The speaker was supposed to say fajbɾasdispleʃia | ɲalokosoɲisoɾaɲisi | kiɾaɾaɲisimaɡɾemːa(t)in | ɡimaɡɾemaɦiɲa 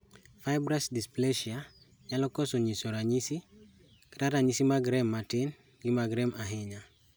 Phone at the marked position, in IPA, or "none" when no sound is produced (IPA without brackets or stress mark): t